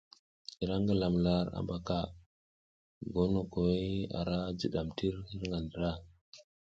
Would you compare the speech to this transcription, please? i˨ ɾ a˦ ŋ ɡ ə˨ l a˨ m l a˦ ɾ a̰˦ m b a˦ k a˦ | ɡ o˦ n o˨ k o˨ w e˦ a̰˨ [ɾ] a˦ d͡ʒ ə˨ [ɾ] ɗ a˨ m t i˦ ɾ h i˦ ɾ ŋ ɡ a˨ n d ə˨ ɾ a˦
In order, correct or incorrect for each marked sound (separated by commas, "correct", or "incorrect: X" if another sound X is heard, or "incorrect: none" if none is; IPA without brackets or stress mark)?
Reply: correct, incorrect: none